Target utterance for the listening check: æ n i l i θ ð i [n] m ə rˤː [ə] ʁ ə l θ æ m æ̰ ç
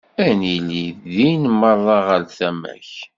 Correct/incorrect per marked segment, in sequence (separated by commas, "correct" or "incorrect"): correct, incorrect